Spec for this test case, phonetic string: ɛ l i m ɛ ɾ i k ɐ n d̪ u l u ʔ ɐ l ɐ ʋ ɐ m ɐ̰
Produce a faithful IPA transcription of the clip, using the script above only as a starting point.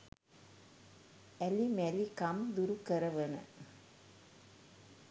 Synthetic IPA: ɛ l i m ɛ l i k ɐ m d̪ u ɾ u k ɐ ɾ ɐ ʋ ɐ n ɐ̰